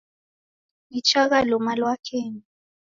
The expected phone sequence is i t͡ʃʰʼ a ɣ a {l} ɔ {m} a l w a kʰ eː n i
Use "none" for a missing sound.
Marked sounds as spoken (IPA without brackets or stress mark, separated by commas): l, m